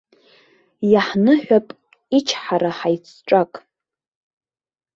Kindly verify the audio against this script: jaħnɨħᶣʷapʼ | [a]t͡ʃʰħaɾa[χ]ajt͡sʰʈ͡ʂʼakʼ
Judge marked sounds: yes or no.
no, no

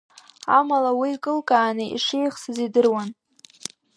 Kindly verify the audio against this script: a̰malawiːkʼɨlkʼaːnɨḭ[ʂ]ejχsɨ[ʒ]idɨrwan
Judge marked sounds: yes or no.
yes, no

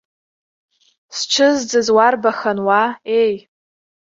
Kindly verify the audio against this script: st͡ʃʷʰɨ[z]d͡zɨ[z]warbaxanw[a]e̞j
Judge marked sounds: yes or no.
yes, yes, yes

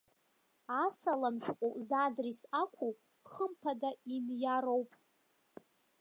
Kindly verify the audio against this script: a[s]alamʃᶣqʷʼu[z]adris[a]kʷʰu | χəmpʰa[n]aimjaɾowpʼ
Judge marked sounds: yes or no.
yes, yes, yes, no

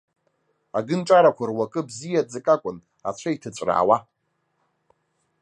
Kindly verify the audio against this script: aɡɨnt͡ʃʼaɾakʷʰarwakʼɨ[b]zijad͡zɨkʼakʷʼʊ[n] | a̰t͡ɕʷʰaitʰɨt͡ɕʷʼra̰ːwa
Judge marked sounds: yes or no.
yes, yes

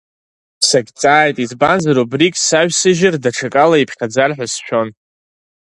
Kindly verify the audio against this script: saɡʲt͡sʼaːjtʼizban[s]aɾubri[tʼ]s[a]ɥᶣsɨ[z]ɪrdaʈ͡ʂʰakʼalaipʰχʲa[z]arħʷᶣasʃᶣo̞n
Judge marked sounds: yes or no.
no, no, yes, no, no

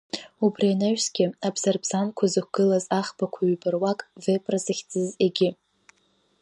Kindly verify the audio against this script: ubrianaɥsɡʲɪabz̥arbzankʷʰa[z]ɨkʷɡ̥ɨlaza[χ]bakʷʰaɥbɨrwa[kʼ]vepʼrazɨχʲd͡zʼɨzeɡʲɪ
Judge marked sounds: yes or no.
yes, yes, yes

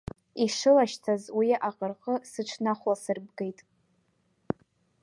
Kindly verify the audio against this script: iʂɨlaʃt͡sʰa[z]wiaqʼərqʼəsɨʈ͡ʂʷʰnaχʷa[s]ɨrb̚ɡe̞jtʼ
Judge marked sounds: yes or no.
yes, yes

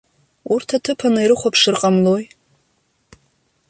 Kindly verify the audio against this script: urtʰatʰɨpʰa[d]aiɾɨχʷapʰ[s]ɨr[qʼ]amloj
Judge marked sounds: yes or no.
no, no, yes

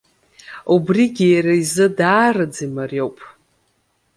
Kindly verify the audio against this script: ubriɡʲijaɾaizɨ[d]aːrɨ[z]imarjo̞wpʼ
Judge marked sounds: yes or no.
yes, no

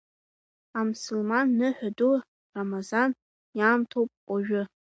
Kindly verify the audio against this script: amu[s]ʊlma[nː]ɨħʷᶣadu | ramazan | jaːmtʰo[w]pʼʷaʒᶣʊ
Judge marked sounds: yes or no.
yes, yes, yes

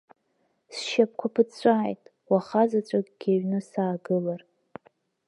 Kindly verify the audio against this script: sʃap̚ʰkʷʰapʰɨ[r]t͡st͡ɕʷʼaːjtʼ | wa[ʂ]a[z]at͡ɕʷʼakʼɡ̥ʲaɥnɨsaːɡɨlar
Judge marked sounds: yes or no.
no, no, yes

